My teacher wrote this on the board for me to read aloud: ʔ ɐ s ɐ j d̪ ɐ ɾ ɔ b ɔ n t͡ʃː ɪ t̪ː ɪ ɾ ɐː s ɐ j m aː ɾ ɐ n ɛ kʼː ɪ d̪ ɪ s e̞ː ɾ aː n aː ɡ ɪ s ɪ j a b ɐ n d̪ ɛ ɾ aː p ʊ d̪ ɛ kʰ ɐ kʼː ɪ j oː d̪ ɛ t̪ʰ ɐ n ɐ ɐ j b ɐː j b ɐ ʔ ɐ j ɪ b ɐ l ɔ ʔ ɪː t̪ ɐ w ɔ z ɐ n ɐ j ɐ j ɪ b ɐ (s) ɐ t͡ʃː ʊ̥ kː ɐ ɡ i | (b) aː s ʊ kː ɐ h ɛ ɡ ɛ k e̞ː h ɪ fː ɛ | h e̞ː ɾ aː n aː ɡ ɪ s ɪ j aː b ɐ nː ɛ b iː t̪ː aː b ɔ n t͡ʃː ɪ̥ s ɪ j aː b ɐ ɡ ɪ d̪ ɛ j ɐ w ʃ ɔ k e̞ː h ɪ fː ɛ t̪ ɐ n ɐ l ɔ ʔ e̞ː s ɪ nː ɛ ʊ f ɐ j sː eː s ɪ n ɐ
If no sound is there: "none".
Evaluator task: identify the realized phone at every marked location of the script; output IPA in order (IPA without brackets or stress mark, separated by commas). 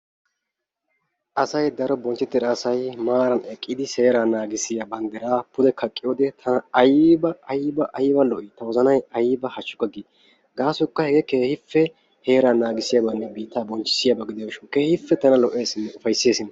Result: h, ɡ